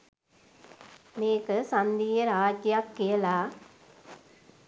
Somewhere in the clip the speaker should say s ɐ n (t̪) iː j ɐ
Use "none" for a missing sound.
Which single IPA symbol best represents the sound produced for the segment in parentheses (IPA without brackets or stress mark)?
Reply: d̪